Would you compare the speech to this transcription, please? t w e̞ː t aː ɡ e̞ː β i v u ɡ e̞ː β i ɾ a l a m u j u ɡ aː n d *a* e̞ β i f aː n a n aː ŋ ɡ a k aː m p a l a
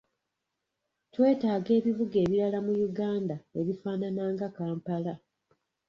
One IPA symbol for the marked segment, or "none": a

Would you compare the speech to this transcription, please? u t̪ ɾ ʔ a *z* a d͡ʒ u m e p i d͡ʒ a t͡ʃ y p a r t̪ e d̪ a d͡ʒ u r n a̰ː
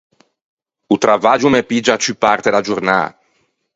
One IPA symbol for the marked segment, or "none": v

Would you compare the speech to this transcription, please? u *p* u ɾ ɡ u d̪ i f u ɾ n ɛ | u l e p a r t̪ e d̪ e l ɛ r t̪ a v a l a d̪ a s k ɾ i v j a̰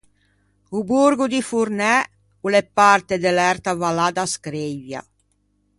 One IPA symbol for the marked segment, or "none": b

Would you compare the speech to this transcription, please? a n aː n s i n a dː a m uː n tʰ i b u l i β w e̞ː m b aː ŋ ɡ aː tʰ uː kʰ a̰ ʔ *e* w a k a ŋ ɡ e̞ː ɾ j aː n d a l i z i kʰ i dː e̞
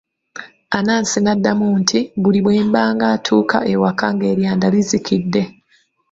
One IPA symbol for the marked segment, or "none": e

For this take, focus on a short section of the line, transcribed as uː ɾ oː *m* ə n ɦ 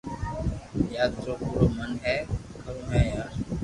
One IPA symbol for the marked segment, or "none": m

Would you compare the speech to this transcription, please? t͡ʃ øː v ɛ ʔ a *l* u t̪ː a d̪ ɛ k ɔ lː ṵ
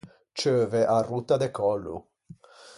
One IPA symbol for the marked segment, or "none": r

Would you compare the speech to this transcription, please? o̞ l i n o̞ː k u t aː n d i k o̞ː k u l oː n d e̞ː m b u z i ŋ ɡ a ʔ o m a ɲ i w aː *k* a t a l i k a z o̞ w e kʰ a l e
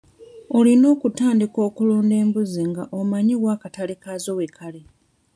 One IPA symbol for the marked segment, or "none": k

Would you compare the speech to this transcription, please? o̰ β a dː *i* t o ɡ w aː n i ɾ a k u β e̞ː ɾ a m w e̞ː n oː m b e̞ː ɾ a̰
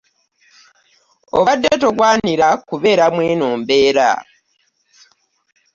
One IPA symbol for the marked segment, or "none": e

